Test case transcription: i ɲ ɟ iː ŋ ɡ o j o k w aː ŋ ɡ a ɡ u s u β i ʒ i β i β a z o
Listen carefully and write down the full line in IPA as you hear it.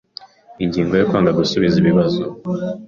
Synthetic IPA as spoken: i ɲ ɟ iː ŋ ɡ o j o k w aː ŋ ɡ a ɡ u s u β i z i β i β a z o